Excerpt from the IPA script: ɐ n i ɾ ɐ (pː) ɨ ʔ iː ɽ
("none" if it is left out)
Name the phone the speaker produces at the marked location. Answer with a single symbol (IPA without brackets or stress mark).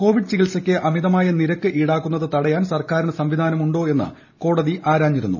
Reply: kː